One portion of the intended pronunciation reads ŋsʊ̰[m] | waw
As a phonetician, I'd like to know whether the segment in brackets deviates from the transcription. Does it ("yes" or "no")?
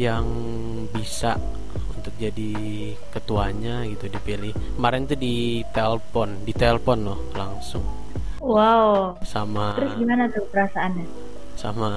yes